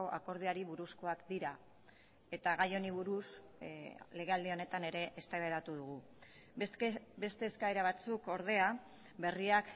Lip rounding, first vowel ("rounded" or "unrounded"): rounded